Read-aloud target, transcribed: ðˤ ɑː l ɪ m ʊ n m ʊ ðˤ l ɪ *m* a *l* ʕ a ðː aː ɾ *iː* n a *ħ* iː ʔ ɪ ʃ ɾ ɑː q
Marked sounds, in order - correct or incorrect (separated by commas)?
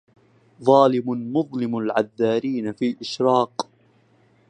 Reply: correct, correct, correct, incorrect